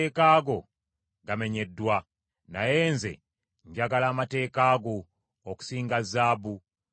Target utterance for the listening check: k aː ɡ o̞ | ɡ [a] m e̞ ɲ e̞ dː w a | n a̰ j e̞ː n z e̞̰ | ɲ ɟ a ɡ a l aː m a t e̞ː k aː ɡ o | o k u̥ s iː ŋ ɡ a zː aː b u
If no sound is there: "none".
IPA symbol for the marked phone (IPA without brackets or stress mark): a